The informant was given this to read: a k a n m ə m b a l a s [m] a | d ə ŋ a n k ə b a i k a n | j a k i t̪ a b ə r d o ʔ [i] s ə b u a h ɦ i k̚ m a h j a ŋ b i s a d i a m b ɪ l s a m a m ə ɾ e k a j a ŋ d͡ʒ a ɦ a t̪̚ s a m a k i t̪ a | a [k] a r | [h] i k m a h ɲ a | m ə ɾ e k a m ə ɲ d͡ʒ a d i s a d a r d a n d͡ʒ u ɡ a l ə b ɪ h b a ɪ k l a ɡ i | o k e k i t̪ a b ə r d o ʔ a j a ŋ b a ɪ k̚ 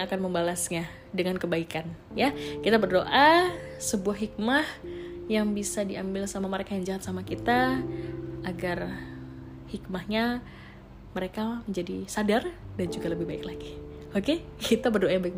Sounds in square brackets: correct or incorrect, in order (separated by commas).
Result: incorrect, incorrect, incorrect, correct